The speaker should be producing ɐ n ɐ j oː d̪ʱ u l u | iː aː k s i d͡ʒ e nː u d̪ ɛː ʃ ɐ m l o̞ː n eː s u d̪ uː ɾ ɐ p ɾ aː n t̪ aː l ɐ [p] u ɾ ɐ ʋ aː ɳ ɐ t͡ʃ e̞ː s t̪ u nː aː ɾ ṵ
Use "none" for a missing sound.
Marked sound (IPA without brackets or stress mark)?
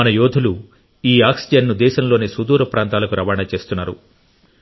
k